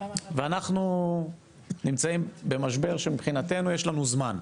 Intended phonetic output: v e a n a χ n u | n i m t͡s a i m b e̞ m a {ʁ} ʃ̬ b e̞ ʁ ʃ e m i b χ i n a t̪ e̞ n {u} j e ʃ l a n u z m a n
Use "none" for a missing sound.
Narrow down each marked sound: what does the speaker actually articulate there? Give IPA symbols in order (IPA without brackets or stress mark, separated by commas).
none, u